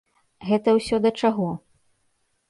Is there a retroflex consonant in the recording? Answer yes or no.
yes